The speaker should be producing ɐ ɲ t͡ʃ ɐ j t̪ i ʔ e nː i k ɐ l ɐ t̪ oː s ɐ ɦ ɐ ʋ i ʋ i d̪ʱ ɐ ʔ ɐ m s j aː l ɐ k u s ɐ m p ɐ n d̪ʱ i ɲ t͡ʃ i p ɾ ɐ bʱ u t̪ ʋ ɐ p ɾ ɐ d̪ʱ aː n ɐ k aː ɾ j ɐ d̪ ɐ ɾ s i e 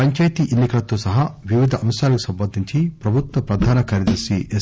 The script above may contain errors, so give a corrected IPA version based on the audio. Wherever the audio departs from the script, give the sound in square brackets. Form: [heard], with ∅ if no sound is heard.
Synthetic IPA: ɐ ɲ t͡ʃ ɐ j t̪ i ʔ e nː i k ɐ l ɐ t̪ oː s ɐ ɦ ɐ ʋ i ʋ i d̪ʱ ɐ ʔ ɐ m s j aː l ɐ k u s ɐ m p ɐ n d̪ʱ i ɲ t͡ʃ i p ɾ ɐ bʱ u t̪ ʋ ɐ p ɾ ɐ d̪ʱ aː n ɐ k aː ɾ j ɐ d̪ ɐ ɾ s i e